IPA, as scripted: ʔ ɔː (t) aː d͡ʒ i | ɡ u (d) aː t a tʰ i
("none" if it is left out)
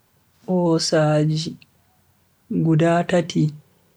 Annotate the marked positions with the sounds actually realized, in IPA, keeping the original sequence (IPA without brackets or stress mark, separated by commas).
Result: s, d